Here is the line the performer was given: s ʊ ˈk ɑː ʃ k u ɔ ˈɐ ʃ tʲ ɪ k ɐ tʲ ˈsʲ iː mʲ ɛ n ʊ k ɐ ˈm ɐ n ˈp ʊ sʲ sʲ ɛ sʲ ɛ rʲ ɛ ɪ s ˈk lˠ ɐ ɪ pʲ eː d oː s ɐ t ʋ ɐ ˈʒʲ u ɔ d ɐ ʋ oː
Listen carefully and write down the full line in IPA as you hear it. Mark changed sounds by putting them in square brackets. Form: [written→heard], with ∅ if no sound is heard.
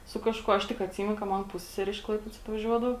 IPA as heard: s ʊ ˈk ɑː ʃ k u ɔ ˈɐ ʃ tʲ ɪ k ɐ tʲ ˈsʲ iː mʲ ɛ n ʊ k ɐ ˈm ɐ n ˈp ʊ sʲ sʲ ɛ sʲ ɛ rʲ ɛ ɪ [s→ʃ] ˈk lˠ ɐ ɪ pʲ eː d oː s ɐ t ʋ ɐ ˈʒʲ u ɔ d ɐ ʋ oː